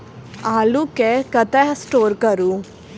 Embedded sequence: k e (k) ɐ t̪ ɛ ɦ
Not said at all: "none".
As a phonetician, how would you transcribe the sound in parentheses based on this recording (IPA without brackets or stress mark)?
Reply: k